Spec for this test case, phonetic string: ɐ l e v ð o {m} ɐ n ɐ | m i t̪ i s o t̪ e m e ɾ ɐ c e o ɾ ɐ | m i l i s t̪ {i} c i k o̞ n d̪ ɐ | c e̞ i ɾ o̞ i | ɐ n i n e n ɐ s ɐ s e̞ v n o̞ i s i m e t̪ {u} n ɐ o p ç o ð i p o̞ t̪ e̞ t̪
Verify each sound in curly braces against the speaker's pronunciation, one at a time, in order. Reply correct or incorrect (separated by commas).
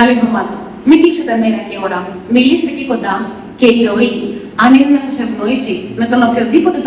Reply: correct, incorrect, incorrect